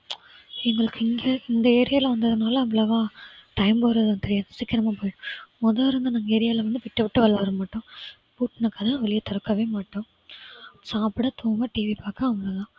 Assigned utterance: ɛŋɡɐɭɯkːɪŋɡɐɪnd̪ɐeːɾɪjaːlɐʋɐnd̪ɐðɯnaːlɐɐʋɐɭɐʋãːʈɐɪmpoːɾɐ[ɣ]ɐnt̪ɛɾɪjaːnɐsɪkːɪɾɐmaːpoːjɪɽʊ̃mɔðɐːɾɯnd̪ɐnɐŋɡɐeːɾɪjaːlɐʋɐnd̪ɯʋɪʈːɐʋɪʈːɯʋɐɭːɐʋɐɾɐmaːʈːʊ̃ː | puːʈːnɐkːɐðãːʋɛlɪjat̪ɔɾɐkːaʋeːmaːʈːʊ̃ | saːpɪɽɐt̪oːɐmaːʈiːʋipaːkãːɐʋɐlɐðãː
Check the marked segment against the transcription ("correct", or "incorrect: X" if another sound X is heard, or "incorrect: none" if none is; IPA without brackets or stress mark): incorrect: ð